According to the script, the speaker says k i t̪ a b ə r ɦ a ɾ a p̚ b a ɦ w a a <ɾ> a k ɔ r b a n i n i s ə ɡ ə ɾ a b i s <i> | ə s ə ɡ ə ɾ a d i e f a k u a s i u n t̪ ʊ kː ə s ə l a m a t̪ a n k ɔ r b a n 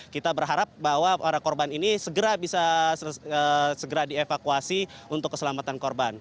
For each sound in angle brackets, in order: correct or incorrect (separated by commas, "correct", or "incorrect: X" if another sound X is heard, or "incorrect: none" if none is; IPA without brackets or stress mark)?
correct, incorrect: a